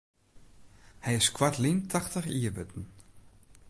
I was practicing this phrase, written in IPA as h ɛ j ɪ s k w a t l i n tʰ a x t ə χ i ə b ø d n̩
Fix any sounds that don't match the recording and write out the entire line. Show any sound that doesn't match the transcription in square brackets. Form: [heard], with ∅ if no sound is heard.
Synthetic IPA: h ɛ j ɪ s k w a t l i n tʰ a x t ə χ i ə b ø [t] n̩